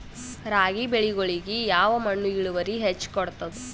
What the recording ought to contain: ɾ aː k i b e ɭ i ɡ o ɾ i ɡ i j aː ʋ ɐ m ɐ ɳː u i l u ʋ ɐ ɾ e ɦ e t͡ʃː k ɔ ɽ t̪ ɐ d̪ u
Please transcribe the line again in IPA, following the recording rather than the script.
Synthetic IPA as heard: ɾ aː ɡ i b e ɭ i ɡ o ɭ i ɡ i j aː ʋ ɐ m ɐ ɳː u i ɭ u ʋ ɐ ɾ i ɦ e t͡ʃː k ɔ ɽ t̪ ɐ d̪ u

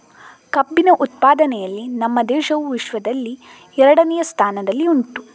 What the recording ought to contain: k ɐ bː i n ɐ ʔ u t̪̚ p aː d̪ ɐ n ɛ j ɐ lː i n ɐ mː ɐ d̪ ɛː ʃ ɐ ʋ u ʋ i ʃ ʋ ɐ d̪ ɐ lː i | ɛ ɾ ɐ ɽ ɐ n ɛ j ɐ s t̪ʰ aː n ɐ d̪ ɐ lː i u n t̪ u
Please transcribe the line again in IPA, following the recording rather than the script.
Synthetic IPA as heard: k ɐ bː i n ɐ ʔ u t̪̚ p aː d̪ ɐ n ɛ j ɐ lː i n ɐ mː ɐ d̪ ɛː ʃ ɐ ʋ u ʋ i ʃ ʋ ɐ d̪ ɐ lː i | ɛ ɾ ɐ ɽ ɐ n ɛ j ɐ s t̪ʰ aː n ɐ d̪ ɐ lː i u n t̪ u

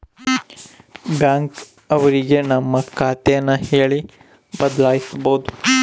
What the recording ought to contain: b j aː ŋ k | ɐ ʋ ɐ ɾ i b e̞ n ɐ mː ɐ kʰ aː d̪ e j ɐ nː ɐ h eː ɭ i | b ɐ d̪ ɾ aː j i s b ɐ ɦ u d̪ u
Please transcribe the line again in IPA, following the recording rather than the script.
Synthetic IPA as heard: b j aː ŋ k | ɐ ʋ ɐ ɾ i ɡ e̞ n ɐ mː ɐ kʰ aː t̪ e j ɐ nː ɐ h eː ɭ i | b ɐ d̪ l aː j i s b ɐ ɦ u d̪ u

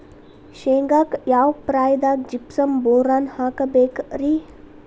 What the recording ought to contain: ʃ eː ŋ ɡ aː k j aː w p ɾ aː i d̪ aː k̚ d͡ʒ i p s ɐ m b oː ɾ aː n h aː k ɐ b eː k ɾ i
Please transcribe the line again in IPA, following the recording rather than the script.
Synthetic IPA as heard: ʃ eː ŋ ɡ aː k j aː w p ɾ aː j d̪ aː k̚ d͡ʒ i p s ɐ m b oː ɾ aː n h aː k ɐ b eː k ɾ i

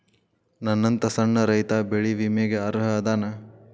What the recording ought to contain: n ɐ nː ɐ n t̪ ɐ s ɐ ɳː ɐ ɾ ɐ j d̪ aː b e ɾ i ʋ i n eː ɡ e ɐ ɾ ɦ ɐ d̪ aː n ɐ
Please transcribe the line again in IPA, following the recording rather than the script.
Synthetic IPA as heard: n ɐ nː ɐ n t̪ ɐ s ɐ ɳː ɐ ɾ ɐ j t̪ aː b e ɭ i ʋ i m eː ɡ e ɐ ɾ ɦ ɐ d̪ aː n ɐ

